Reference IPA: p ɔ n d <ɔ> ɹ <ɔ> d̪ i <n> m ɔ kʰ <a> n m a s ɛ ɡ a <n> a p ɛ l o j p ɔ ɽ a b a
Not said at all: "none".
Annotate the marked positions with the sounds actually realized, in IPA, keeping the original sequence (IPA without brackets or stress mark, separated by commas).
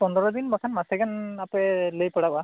ɔ, ɔ, n, a, n